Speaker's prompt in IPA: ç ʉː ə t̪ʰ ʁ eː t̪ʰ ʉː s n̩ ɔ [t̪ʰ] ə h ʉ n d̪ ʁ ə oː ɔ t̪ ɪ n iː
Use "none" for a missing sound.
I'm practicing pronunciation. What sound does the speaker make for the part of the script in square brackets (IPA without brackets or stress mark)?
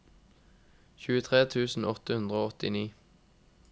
t̪